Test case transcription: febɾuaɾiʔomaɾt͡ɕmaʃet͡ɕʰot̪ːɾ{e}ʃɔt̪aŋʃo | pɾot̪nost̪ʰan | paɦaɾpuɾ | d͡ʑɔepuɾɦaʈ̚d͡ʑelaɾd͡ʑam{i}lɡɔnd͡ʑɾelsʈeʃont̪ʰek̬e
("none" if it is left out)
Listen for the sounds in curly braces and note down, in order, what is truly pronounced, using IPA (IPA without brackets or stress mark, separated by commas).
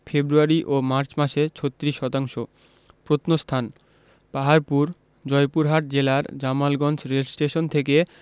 i, a